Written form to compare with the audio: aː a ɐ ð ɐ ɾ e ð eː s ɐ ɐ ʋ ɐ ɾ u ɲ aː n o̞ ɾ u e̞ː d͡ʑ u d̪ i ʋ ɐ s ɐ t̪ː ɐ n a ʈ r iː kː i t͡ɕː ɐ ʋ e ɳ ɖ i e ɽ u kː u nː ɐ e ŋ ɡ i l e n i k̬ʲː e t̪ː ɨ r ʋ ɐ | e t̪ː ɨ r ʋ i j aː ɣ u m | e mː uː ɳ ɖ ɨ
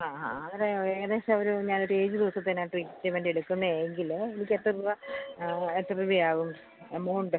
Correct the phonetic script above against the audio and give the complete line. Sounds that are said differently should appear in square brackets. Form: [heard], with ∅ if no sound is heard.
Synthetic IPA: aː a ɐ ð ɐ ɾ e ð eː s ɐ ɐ ʋ ɐ ɾ u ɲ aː n o̞ ɾ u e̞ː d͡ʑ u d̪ i ʋ ɐ s ɐ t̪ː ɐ n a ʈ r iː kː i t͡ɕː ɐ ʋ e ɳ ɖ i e ɽ u kː u nː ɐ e ŋ ɡ i l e n i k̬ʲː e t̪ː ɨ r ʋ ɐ | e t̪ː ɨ r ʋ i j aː ɣ u m | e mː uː ɳ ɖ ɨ